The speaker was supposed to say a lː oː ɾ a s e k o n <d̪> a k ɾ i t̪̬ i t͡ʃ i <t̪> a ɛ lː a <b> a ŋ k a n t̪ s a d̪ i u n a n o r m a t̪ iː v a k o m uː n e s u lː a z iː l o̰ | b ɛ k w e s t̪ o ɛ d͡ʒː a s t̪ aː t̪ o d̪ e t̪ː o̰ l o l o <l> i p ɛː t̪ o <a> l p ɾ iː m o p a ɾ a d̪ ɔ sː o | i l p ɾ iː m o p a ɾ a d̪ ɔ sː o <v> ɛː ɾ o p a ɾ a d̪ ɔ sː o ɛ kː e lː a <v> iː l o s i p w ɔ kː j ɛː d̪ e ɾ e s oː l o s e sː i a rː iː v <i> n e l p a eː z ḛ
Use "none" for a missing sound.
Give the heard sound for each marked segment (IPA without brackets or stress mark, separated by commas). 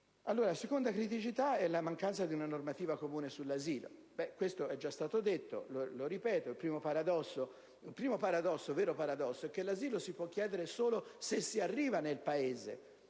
d̪, t̪, m, ɾ, i, v, z, a